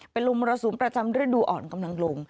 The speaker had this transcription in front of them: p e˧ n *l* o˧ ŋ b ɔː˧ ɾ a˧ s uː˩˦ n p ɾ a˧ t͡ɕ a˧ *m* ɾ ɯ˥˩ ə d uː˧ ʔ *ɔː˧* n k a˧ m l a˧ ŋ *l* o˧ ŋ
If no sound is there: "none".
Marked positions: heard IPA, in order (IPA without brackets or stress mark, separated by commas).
l, m, ɔː˨˩, l